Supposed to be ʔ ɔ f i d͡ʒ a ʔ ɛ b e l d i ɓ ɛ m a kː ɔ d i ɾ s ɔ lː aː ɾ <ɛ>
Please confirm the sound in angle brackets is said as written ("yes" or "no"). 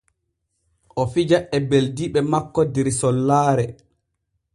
yes